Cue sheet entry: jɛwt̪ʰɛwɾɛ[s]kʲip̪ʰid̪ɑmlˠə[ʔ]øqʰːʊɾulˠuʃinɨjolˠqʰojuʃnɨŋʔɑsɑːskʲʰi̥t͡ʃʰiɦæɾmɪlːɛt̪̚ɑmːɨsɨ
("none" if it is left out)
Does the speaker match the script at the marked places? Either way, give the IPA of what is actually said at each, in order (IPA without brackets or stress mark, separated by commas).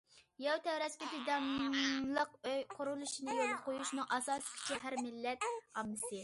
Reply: s, q